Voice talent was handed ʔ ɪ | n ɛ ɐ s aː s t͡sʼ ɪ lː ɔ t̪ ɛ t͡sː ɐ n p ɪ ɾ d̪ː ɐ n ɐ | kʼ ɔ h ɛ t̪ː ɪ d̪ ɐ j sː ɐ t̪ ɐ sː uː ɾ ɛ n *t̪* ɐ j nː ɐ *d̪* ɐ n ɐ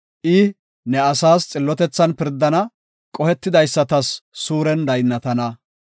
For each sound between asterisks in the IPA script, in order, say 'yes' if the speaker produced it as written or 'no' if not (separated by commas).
no, no